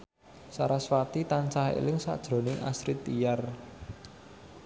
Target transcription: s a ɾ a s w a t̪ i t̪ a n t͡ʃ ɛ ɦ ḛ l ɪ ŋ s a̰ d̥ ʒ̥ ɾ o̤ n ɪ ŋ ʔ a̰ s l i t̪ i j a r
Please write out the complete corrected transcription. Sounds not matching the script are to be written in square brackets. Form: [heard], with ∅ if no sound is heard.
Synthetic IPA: s a ɾ a s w a t̪ i t̪ a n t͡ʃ [a] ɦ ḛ l ɪ ŋ s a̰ d̥ ʒ̥ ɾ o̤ n ɪ ŋ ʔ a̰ s [ɾ] i t̪ i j a r